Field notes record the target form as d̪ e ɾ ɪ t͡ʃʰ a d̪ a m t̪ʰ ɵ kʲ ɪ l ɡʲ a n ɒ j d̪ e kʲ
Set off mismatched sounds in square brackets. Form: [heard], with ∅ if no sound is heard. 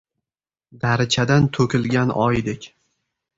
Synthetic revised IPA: d̪ [a] ɾ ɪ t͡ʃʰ a d̪ a [n] t̪ʰ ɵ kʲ ɪ l ɡʲ a n ɒ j d̪ e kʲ